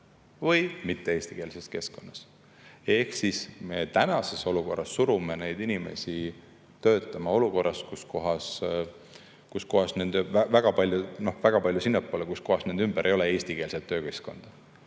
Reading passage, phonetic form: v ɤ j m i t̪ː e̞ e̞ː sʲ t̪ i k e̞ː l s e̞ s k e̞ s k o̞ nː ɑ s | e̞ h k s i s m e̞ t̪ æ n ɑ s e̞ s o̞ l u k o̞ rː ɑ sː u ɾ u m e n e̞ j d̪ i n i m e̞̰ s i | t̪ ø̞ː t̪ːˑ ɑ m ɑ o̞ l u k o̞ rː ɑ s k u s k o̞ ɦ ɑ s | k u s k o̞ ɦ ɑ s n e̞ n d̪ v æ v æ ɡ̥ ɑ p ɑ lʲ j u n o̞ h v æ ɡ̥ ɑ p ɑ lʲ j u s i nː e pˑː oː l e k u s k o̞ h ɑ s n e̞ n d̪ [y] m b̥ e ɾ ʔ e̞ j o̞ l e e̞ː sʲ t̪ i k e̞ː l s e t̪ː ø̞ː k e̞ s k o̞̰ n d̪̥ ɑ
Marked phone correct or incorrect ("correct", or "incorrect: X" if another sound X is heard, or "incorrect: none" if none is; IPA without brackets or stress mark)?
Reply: correct